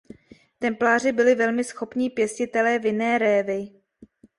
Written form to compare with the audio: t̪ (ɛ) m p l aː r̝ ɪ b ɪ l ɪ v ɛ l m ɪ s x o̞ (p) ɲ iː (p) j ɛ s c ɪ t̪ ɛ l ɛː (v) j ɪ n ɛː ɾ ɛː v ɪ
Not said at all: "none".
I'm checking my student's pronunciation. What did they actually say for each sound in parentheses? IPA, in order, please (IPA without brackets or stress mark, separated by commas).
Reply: ɛ, p, p, v